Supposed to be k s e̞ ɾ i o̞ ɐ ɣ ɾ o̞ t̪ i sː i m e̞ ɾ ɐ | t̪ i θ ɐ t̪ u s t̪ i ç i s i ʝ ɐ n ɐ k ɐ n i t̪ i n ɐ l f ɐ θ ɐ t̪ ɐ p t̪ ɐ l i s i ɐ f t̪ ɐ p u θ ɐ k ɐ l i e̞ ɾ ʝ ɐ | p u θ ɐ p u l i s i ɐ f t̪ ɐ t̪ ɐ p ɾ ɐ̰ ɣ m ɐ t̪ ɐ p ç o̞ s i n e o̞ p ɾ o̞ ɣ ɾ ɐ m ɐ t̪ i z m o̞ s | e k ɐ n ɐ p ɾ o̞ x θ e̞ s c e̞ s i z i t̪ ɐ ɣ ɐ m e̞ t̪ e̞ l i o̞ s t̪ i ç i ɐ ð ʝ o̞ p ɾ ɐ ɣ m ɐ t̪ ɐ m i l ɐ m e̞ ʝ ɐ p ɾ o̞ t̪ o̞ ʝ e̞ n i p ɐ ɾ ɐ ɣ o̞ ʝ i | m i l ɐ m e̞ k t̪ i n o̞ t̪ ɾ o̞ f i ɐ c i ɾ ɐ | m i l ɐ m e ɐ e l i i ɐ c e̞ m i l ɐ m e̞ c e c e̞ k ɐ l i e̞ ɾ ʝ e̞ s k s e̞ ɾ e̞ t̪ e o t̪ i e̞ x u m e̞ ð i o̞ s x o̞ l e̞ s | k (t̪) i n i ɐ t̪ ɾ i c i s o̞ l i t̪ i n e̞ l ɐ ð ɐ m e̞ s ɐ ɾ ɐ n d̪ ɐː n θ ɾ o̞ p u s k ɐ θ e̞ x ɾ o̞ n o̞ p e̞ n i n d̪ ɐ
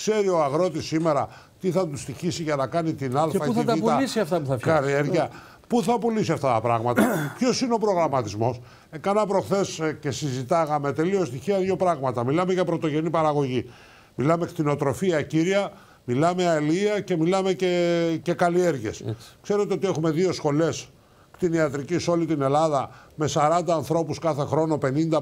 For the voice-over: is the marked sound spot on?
yes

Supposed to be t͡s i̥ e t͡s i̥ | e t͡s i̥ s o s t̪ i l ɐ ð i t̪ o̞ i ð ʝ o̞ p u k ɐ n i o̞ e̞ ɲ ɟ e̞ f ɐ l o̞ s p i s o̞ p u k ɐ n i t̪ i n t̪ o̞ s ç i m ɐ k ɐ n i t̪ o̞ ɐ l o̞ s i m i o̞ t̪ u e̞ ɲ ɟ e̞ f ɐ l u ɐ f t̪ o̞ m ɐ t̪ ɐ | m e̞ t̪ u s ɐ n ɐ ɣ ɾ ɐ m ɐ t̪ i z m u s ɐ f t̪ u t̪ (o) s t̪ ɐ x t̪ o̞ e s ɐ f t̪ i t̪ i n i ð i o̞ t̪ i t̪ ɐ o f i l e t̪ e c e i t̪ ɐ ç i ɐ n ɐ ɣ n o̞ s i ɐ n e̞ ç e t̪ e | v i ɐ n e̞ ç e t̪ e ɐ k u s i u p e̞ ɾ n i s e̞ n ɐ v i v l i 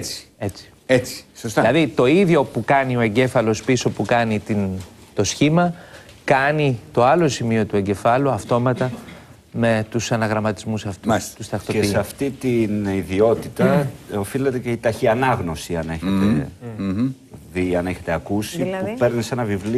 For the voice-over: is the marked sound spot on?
no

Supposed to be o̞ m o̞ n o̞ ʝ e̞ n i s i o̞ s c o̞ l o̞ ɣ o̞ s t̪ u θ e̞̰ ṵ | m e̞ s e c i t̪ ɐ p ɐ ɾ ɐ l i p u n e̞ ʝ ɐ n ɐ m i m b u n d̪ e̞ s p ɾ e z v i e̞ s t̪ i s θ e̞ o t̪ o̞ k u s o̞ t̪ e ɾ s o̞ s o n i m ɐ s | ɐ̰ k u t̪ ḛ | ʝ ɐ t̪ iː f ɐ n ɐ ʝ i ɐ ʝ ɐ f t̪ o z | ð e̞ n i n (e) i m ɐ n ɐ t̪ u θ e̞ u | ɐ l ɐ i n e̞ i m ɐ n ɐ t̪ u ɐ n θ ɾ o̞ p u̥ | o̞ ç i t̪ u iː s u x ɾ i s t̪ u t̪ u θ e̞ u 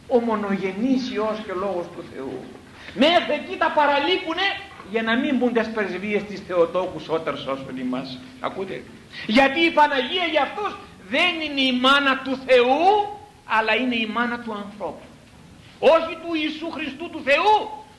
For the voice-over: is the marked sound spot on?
yes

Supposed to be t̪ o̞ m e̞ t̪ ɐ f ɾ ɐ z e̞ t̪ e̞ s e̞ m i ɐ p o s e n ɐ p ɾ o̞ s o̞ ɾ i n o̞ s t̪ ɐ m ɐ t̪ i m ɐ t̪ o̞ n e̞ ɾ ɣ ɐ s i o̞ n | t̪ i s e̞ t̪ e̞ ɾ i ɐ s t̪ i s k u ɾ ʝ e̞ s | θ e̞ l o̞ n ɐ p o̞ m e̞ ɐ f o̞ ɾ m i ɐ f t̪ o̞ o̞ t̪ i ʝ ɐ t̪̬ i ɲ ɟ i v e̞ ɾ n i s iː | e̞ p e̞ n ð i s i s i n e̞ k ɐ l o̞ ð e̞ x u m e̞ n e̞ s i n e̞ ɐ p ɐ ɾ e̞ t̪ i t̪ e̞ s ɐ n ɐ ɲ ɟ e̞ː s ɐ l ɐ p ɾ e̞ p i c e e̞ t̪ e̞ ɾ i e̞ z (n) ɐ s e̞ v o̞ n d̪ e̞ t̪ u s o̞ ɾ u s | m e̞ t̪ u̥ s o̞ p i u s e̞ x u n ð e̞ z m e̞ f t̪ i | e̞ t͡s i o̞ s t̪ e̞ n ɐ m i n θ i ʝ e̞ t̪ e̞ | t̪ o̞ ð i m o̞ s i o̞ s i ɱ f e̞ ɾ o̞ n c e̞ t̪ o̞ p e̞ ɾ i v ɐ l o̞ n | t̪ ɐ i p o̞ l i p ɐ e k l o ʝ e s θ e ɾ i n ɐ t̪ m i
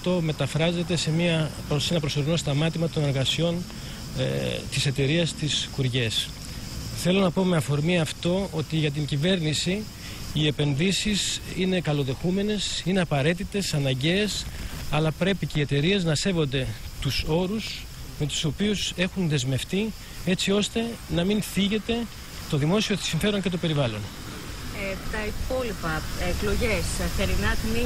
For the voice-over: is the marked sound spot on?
yes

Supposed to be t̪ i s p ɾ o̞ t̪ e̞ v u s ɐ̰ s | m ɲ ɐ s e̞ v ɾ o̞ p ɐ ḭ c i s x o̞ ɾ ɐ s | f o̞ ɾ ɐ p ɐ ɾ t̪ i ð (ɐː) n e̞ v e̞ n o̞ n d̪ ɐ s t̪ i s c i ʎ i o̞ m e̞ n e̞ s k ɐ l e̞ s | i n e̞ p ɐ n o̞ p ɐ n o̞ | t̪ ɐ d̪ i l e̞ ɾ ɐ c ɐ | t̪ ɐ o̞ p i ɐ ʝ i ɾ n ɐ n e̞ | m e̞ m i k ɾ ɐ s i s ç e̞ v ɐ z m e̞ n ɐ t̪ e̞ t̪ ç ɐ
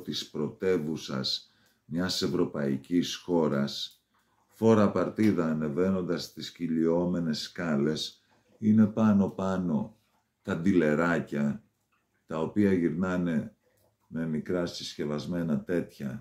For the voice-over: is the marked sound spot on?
yes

